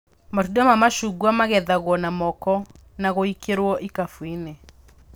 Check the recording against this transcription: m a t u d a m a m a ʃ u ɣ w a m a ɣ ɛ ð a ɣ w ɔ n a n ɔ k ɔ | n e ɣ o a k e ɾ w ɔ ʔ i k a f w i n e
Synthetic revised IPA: m a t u d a m a m a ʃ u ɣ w a m a ɣ ɛ ð a ɣ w ɔ n a m ɔ k ɔ | n a ɣ o i k e ɾ w ɔ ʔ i k a f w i n e